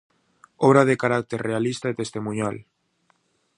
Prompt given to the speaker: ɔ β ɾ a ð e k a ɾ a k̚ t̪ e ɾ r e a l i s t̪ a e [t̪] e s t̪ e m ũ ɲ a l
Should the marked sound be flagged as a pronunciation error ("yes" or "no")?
no